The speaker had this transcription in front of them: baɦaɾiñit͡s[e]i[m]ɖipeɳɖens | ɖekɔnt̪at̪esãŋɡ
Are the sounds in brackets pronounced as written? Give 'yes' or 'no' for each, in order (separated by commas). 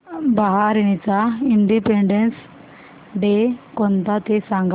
no, no